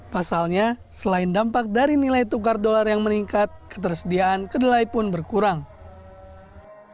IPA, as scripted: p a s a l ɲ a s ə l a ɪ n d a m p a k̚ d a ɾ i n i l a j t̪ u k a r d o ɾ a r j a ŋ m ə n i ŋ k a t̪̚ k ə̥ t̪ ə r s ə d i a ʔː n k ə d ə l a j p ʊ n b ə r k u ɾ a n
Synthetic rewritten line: p a s a l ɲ a s ə l a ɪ n d a m p a k̚ d a ɾ i n i l a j t̪ u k a r d o l a r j a ŋ m ə n i ŋ k a t̪̚ k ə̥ t̪ ə r s ə d i a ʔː n k ə d ə l a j p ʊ n b ə r k u ɾ a ŋ

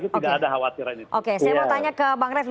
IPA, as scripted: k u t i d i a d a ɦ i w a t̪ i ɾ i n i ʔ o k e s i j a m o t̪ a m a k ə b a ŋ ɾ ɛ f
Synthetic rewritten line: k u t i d a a d a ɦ a w a t̪ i ɾ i n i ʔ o k e s a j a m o t̪ a ɲ a k ə b a ŋ ɾ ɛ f

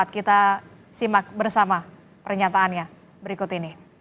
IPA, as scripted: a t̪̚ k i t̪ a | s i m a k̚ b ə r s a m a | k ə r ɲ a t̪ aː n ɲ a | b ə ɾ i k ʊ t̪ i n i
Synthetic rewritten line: a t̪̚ k i t̪ a | s i m a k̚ b ə r s a m a | p ə r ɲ a t̪ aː n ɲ a | b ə ɾ i k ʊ t̪ i n i

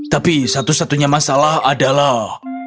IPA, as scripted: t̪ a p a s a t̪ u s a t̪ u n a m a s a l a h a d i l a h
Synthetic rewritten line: t̪ a p i s a t̪ u s a t̪ u ɲ a m a s a l a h a d a l a h

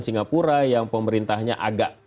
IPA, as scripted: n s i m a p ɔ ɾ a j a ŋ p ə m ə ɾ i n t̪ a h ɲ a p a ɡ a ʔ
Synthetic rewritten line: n s i ŋ a p u ɾ a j a ŋ p ə m ə ɾ i n t̪ a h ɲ a ʔ a ɡ a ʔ

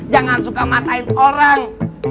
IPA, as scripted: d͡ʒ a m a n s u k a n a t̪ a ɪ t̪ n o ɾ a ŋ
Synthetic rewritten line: d͡ʒ a ŋ a n s u k a m a t̪ a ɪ n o ɾ a ŋ

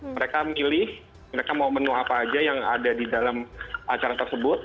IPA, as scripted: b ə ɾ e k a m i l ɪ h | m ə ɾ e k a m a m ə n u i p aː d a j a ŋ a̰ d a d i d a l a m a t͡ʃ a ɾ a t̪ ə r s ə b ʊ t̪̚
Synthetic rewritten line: m ə ɾ e k a m i l ɪ h | m ə ɾ e k a m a m ə n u a p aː d͡ʒ a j a ŋ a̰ d a d i d a l a m a t͡ʃ a ɾ a t̪ ə r s ə b ʊ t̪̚

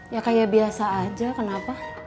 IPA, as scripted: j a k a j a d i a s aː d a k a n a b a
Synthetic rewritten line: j a k a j a b i a s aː d͡ʒ a k ə n a p a

